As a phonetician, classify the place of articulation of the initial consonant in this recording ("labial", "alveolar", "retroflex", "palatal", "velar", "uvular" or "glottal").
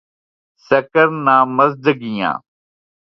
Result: alveolar